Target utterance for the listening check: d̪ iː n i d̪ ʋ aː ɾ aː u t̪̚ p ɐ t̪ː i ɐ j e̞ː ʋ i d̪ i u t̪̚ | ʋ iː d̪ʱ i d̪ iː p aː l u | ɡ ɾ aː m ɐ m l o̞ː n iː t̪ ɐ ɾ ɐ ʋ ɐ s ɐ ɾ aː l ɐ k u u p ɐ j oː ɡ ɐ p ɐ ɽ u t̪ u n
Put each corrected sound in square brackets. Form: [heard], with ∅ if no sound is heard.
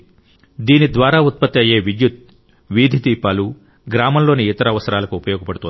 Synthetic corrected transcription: d̪ iː n i d̪ ʋ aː ɾ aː u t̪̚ p ɐ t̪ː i ɐ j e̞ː ʋ i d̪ [j] u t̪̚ | ʋ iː d̪ʱ i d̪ iː p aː l u | ɡ ɾ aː m ɐ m l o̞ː n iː t̪ ɐ ɾ ɐ ʋ ɐ s ɐ ɾ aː l ɐ k u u p ɐ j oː ɡ ɐ p ɐ ɽ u t̪ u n